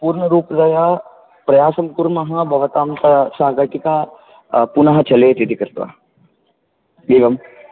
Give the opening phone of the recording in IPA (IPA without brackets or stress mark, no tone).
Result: p